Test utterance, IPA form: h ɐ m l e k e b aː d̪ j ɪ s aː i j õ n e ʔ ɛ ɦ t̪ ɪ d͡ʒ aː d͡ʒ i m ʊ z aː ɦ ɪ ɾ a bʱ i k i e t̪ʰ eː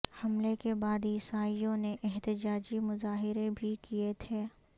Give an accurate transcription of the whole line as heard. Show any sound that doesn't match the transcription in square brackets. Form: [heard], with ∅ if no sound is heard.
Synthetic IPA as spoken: h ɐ m l e k e b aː d̪ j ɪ s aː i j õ n e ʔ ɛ ɦ t̪ ɪ d͡ʒ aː d͡ʒ i m ʊ z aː ɦ ɪ ɾ [e] bʱ i k i e t̪ʰ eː